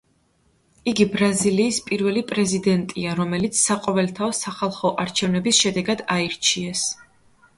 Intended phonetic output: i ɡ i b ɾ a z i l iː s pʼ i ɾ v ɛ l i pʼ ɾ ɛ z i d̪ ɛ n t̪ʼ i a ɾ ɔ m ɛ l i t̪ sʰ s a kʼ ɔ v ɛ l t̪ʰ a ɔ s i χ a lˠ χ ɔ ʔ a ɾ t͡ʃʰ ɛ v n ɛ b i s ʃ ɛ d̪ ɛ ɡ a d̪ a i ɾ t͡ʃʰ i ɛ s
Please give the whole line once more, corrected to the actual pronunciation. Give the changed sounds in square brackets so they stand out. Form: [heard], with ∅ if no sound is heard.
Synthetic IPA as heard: i ɡ i b ɾ a z i l iː s pʼ i ɾ v ɛ l i pʼ ɾ ɛ z i d̪ ɛ n t̪ʼ i a ɾ ɔ m ɛ l i t̪ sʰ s a [qʼ] ɔ v ɛ l t̪ʰ a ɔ s [a] χ a lˠ χ ɔ ʔ a ɾ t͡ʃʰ ɛ v n ɛ b i s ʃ ɛ d̪ ɛ ɡ a d̪ a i ɾ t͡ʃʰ i ɛ s